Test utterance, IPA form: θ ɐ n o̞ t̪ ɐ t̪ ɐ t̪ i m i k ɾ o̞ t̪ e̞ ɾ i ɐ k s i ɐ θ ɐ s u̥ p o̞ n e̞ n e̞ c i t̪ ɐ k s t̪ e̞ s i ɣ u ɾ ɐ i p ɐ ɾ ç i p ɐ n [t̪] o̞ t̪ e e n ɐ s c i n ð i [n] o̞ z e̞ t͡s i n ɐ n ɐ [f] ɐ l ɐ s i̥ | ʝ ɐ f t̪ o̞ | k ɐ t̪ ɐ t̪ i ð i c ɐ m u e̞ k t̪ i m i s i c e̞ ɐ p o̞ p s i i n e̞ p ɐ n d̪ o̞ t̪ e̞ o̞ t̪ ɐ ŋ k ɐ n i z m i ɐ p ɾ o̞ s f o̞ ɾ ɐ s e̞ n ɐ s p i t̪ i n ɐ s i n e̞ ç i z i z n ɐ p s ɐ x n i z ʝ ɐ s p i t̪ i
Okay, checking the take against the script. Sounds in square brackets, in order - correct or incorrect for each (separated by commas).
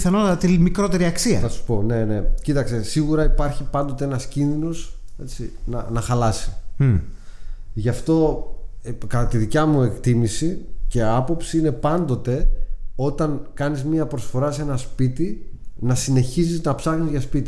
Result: incorrect, correct, incorrect